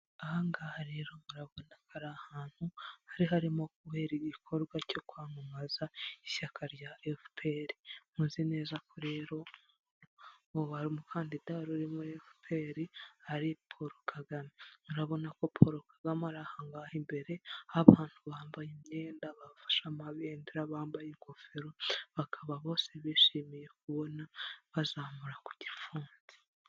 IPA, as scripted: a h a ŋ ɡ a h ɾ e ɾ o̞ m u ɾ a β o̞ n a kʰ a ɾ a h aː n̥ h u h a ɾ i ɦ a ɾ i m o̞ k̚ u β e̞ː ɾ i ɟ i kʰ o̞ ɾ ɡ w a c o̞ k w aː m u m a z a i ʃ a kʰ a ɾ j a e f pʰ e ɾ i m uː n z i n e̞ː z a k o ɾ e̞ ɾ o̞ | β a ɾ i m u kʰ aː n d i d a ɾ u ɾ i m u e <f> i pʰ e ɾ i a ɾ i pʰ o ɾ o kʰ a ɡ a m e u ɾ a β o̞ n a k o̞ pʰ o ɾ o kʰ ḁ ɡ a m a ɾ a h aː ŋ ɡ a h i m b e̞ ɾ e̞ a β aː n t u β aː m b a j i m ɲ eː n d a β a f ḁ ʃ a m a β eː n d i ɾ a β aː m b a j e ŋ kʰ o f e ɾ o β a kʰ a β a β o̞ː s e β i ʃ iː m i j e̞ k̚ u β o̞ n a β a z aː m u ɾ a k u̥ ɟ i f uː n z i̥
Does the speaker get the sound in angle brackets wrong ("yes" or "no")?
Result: no